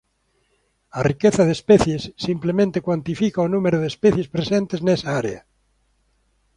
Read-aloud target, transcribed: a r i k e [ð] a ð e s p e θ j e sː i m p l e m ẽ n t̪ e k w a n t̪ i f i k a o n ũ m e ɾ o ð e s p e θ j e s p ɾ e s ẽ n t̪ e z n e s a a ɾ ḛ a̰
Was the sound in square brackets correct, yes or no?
no